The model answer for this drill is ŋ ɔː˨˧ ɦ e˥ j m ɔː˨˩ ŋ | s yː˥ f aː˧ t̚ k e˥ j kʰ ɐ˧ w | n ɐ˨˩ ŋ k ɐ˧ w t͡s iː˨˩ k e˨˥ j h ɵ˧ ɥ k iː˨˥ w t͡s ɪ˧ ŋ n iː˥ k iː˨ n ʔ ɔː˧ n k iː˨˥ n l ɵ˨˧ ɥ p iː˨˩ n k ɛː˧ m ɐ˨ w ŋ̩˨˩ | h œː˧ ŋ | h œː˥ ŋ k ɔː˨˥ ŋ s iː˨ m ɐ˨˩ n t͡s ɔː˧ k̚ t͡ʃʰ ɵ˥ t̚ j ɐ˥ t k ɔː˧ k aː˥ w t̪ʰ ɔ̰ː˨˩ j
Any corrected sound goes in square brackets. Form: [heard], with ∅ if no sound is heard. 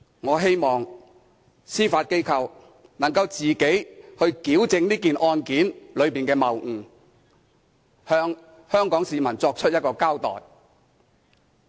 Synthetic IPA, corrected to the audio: ŋ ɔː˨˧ ɦ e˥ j m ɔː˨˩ ŋ | s [iː˥] f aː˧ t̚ k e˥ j kʰ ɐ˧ w | n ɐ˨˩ ŋ k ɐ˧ w t͡s iː˨˩ k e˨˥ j h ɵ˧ ɥ k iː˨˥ w t͡s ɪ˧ ŋ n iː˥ k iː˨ n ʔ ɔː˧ n k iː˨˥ n l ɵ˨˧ ɥ p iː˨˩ n k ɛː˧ m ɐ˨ w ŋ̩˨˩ | h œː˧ ŋ | h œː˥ ŋ k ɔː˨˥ ŋ s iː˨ m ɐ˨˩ n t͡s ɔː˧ k̚ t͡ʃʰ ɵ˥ t̚ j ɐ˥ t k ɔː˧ k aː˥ w [t̪] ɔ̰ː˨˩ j